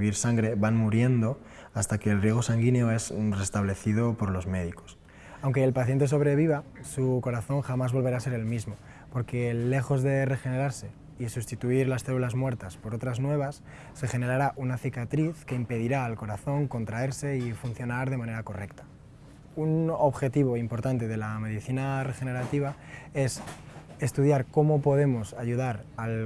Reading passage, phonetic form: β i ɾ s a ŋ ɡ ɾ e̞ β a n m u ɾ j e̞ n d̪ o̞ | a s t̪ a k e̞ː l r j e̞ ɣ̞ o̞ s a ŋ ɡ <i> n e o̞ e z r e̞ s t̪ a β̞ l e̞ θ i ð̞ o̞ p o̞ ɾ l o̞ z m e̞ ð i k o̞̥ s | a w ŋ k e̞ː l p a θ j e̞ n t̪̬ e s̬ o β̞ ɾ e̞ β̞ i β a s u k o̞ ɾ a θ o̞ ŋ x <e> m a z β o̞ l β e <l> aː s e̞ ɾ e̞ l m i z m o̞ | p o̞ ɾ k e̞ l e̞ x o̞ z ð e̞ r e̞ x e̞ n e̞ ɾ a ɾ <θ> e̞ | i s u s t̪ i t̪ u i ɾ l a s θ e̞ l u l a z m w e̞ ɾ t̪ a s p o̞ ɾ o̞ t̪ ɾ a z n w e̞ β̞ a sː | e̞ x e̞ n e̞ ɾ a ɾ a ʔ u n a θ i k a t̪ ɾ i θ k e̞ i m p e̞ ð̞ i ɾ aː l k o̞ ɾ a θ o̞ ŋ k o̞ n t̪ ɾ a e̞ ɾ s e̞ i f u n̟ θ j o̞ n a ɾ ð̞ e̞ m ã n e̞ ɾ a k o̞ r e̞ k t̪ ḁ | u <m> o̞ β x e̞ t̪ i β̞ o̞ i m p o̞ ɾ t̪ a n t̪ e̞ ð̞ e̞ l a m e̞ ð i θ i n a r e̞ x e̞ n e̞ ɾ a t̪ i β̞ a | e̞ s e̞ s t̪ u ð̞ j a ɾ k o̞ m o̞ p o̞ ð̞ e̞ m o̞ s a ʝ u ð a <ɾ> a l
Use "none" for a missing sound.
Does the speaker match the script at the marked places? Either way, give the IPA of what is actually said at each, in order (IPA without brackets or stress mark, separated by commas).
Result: i, a, ɾ, s, n, ɾ